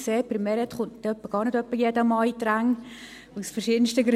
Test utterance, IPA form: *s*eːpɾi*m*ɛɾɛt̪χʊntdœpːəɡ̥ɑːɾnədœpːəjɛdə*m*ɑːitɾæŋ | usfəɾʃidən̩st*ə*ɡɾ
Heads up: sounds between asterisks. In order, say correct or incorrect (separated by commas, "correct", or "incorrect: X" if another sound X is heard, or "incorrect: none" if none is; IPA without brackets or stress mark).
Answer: correct, correct, correct, correct